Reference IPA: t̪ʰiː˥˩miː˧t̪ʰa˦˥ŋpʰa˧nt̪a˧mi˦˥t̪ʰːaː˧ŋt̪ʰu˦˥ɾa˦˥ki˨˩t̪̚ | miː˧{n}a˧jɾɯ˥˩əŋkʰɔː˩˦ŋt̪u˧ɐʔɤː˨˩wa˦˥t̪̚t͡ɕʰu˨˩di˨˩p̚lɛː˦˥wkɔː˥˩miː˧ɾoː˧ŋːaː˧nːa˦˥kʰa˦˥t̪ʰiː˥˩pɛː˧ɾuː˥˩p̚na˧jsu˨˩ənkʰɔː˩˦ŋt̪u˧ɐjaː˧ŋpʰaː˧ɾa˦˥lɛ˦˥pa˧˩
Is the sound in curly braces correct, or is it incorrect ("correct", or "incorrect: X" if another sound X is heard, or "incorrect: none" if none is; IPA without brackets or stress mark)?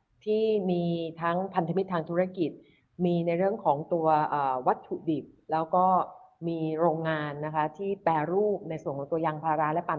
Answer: correct